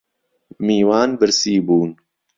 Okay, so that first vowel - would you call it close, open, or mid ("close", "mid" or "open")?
close